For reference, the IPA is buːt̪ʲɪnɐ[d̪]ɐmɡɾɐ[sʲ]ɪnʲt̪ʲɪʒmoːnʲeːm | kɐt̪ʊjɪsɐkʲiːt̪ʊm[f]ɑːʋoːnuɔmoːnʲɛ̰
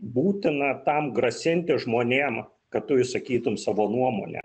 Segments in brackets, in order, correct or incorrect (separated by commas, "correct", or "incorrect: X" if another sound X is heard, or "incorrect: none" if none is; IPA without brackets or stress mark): incorrect: t̪, correct, incorrect: s